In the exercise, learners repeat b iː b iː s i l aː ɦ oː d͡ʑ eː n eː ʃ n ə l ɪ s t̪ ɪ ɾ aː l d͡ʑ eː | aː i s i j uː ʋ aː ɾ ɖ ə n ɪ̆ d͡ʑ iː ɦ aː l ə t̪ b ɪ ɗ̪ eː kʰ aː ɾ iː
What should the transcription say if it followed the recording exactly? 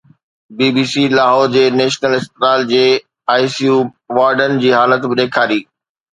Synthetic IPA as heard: b iː b iː s i l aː ɦ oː d͡ʑ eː n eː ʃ n ə l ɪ s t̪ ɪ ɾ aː l d͡ʑ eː | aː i s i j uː ʋ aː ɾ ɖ ə n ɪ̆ d͡ʑ iː ɦ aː l ə t̪ b ɪ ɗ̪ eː kʰ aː ɾ iː